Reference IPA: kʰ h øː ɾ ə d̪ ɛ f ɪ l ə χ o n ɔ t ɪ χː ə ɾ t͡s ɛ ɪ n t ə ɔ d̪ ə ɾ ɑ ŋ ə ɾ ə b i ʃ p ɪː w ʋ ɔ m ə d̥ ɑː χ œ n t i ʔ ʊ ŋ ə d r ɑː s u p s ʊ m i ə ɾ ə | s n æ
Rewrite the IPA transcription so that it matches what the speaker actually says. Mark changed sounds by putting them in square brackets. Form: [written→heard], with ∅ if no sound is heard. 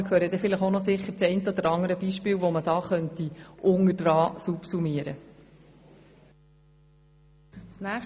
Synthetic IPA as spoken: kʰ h øː ɾ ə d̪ ɛ f ɪ l ə χ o n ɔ [t→s] ɪ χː ə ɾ t͡s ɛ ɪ n t ə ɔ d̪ ə ɾ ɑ ŋ ə ɾ ə b i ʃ p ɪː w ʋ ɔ m ə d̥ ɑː χ œ n t i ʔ ʊ ŋ ə d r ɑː s u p s [ʊ→u] m i ə ɾ ə | s n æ

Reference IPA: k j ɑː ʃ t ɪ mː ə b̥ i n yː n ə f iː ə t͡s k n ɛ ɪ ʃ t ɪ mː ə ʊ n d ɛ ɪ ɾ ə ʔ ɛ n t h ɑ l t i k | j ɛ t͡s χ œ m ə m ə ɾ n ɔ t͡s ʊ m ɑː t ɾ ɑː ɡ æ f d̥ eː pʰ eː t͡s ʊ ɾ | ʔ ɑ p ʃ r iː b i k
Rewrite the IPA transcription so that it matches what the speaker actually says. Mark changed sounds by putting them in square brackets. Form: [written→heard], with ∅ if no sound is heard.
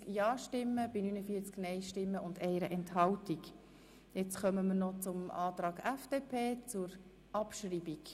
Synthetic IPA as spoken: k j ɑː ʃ t ɪ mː ə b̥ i n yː n ə f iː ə t͡s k n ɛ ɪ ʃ t ɪ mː ə ʊ n d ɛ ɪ ɾ ə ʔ ɛ n t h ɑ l t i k | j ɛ t͡s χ œ m ə m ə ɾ n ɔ t͡s ʊ m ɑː t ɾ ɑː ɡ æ f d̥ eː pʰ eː t͡s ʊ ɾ | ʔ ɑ p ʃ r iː b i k

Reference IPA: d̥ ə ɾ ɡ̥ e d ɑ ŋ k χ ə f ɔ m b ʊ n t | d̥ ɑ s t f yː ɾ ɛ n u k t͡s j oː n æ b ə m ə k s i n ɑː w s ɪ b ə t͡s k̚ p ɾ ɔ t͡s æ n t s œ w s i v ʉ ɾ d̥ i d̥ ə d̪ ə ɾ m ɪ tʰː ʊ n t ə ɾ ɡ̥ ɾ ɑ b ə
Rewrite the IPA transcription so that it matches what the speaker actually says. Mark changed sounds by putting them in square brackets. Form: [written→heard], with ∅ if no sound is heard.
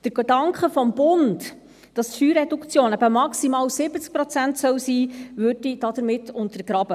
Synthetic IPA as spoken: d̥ ə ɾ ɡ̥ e d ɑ ŋ k χ ə f ɔ m b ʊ n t | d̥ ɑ s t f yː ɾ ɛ [n→d] u k t͡s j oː n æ b ə m [ə→ɑ] k s i [n→m] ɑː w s ɪ b ə t͡s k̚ p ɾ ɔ t͡s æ n t s œ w s [i→iː] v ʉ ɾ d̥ i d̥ [ə→ɑ] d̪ ə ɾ m ɪ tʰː ʊ n t ə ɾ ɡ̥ ɾ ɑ b ə

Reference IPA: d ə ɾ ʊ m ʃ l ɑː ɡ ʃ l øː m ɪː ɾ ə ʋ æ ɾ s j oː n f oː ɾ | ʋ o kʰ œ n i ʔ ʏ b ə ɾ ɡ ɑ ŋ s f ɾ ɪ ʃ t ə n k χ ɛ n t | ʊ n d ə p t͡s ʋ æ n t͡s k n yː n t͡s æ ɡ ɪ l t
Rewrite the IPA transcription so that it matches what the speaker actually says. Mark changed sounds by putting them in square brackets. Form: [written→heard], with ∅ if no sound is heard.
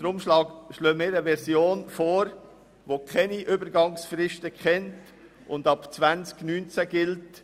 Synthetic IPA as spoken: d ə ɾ ʊ m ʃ l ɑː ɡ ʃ l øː m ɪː ɾ ə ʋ [æ→ɛ] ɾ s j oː n f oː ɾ | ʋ o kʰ [œ→ɛ] n i ʔ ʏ b ə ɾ ɡ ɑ ŋ s f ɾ ɪ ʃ t ə [n→∅] k χ ɛ n t | ʊ n d [ə→ɑ] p t͡s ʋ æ n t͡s k n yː n t͡s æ ɡ ɪ l t

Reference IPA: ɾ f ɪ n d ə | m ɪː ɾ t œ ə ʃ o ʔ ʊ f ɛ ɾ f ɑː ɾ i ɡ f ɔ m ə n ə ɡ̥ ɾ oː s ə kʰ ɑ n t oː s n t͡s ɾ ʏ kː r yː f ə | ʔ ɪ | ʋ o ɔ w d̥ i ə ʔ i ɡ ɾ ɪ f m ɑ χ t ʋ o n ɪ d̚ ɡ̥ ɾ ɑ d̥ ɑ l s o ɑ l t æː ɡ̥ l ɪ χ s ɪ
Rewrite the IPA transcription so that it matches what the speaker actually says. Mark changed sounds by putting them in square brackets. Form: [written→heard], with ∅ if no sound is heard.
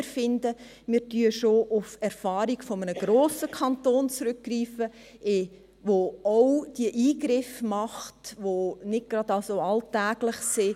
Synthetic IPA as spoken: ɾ f ɪ n d ə | m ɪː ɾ t [œ→y] ə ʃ o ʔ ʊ f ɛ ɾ f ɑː ɾ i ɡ f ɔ m ə n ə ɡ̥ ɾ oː s ə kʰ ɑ n t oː [s→∅] n t͡s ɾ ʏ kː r [yː→iː] f ə | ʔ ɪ | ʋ o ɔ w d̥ i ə ʔ [i→iː] ɡ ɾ ɪ f m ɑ χ t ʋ o n ɪ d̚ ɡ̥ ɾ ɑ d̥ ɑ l s o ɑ l t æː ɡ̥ l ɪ χ s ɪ

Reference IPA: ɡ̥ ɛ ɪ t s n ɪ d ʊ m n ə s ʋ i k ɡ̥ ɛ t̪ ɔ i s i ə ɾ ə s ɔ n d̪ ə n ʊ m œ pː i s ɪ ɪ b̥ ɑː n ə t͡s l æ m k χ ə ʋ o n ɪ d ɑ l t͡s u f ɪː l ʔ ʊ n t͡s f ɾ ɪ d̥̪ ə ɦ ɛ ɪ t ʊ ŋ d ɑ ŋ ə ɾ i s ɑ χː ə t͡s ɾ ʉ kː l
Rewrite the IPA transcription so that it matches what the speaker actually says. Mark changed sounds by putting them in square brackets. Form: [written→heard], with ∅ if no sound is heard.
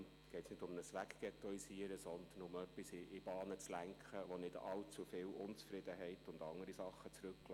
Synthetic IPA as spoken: ɡ̥ ɛ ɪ t s n ɪ d ʊ m n ə s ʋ [i→æ] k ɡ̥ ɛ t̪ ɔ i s i ə ɾ ə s ɔ n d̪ ə n ʊ m œ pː i s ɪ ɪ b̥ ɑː n ə t͡s l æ [m→ŋ] k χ ə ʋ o n ɪ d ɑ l t͡s u f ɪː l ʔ ʊ n t͡s f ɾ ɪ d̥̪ ə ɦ ɛ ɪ t ʊ [ŋ→n] d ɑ ŋ ə ɾ i s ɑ χː ə t͡s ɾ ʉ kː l

